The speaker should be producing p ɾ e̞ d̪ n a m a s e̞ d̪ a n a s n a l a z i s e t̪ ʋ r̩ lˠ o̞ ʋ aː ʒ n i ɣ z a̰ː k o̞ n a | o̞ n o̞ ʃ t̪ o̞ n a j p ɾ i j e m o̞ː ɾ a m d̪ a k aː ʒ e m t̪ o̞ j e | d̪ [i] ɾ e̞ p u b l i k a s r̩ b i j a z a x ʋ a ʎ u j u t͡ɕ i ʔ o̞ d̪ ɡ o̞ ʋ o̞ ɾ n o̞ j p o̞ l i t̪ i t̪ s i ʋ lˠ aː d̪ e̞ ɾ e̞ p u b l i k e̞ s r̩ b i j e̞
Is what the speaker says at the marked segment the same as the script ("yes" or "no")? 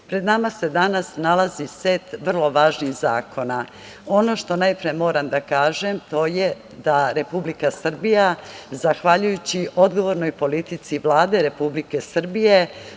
no